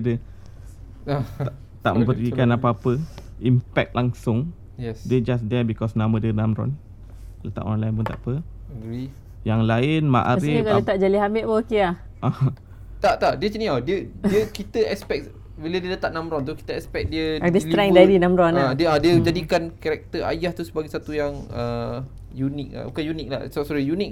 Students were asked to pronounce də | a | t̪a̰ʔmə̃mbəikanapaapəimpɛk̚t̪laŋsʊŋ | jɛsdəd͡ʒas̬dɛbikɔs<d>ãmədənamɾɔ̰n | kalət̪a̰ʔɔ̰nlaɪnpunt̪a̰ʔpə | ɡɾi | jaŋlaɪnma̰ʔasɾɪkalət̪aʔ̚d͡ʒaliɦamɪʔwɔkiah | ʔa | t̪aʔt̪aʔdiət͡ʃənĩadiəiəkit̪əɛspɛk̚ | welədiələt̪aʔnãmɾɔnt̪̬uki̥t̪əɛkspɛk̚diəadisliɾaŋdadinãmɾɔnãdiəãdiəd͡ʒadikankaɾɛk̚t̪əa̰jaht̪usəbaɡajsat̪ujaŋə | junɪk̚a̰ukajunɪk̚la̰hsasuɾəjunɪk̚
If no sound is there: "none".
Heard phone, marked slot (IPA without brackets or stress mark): n